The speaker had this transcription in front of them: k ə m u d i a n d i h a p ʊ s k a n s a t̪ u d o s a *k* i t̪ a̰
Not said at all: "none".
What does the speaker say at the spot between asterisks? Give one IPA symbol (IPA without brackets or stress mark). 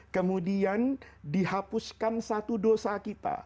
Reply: k